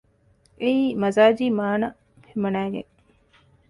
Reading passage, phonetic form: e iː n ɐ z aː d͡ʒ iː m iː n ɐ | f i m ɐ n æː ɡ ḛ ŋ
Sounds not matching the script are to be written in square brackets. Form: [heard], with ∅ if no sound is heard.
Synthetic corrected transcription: e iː [m] ɐ z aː d͡ʒ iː m [aː] n ɐ | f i m ɐ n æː ɡ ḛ ŋ